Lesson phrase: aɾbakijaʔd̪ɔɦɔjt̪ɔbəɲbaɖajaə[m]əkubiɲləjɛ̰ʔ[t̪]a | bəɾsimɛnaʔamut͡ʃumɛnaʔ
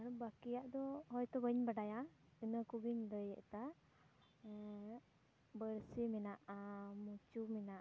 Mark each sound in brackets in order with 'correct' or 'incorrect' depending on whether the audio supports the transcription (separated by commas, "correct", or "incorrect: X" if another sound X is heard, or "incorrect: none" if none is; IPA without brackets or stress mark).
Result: incorrect: n, correct